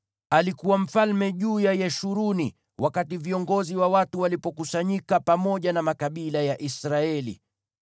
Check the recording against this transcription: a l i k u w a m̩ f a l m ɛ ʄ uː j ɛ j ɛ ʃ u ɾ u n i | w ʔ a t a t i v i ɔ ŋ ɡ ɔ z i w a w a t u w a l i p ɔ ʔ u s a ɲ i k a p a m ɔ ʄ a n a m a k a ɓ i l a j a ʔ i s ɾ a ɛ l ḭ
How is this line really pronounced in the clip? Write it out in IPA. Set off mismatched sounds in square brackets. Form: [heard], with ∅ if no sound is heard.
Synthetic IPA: a l i k u w a m̩ f a l m ɛ ʄ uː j [a] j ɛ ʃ u ɾ u n i | w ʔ a [k] a t i v i ɔ ŋ ɡ ɔ z i w a w a t u w a l i p ɔ [k] u s a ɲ i k a p a m ɔ ʄ a n a m a k a ɓ i l a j a ʔ i s ɾ a ɛ l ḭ